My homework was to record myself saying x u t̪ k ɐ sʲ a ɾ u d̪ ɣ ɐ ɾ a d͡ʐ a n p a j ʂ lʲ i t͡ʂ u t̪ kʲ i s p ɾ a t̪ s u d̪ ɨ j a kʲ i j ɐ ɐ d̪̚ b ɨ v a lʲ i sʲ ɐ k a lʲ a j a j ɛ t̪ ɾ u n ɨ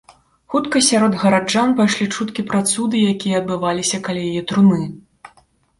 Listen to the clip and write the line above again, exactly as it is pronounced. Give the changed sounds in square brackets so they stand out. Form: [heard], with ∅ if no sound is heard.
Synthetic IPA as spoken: x u t̪ k ɐ sʲ a ɾ [ɔ] d̪ ɣ ɐ ɾ a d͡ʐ a n p a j ʂ lʲ i t͡ʂ u t̪ kʲ i [∅] p ɾ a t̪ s u d̪ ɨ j a kʲ i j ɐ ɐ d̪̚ b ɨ v a lʲ i sʲ ɐ k a lʲ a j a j ɛ t̪ ɾ u n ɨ